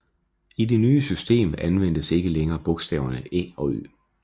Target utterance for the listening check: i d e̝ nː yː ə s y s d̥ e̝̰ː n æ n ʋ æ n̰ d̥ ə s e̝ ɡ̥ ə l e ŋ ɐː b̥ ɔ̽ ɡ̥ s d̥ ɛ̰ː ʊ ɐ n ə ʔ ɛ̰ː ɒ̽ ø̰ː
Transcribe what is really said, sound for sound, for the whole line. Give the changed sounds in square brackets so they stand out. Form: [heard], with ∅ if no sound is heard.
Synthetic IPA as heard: i d e̝ [n] yː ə s y s d̥ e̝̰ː [m] æ n ʋ [e] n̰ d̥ ə s e̝ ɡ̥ ə l e ŋ ɐː b̥ ɔ̽ ɡ̥ s d̥ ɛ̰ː ʊ ɐ n ə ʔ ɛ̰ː ɒ̽ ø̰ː